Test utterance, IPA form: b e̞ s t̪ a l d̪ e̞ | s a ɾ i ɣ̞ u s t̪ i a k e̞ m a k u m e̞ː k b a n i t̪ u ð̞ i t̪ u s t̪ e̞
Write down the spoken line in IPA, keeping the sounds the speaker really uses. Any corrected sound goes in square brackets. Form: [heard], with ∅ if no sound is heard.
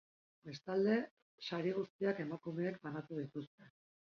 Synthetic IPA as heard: b e̞ s t̪ a l d̪ e̞ | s a ɾ i ɣ̞ u s t̪ i a k e̞ m a k u m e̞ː k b a n [a] t̪ u ð̞ i t̪ u s t̪ e̞